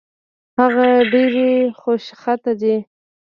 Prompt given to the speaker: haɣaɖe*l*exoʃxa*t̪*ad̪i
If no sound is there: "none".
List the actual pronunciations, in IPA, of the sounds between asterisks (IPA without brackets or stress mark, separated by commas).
ɾ, t̪